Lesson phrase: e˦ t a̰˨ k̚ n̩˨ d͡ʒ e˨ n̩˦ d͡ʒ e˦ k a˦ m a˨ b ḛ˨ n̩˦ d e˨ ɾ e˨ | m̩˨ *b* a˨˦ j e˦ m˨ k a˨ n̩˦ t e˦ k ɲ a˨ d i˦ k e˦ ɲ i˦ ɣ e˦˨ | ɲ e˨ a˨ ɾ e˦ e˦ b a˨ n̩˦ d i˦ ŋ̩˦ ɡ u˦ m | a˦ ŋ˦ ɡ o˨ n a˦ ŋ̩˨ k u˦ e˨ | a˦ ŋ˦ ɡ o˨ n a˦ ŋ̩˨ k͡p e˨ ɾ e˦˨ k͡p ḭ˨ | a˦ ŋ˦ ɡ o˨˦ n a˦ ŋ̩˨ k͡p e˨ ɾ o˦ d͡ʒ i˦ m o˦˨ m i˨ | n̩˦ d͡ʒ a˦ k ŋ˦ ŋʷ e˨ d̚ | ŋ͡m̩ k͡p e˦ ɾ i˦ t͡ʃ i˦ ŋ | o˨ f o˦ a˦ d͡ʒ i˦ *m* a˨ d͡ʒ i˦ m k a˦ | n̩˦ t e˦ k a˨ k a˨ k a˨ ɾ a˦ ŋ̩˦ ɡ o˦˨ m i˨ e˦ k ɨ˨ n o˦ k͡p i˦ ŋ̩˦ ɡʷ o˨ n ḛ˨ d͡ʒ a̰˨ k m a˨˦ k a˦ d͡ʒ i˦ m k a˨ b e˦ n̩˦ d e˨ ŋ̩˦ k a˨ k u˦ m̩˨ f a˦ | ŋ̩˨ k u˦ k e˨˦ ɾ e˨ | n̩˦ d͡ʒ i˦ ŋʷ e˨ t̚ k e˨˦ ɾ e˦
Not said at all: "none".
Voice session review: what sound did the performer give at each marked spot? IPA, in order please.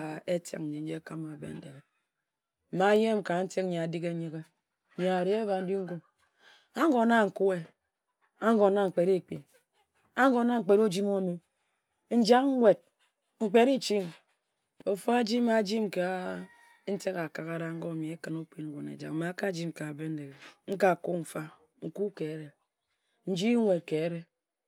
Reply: m, m

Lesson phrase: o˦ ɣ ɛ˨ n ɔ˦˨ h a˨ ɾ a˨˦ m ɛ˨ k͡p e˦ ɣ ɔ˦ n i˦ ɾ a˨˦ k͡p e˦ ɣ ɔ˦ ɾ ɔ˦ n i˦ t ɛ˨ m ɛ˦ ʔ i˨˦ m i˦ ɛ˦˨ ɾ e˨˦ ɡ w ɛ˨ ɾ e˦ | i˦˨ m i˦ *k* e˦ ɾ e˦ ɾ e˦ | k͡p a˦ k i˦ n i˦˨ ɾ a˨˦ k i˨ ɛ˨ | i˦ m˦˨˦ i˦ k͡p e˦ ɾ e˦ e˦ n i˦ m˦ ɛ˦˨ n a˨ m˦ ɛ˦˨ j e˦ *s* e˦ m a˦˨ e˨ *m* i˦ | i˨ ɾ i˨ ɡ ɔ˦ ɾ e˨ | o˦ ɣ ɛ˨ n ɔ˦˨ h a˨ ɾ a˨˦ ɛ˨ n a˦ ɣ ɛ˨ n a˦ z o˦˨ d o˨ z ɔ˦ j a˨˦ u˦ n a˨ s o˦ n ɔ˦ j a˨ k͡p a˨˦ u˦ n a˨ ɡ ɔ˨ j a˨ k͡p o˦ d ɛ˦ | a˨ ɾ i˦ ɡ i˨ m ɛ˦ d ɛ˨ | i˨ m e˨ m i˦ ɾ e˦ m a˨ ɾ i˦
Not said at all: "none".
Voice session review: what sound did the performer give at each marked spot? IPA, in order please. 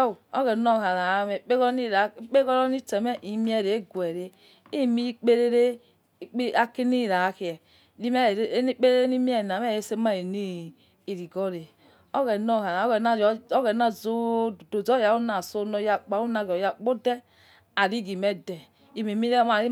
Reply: k͡p, s, n

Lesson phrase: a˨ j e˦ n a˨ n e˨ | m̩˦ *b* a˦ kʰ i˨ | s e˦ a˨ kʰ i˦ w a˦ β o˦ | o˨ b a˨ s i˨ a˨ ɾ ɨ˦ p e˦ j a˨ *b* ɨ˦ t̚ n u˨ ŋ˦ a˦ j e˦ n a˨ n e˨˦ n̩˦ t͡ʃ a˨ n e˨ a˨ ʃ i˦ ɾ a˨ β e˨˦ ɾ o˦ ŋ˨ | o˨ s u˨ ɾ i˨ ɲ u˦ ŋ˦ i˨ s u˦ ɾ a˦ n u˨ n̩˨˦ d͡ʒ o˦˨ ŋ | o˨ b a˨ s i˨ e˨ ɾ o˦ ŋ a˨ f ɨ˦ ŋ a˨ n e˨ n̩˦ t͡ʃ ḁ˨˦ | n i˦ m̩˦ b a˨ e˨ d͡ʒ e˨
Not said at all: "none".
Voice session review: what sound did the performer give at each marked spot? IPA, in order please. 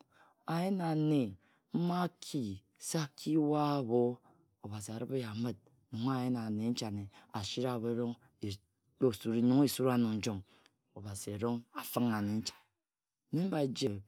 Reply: m, m

